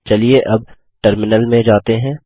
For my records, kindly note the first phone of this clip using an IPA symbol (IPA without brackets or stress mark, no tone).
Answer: t͡ʃ